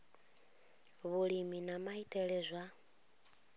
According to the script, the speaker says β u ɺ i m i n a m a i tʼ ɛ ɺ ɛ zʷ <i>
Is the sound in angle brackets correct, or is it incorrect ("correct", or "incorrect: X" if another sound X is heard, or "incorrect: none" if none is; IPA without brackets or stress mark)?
incorrect: a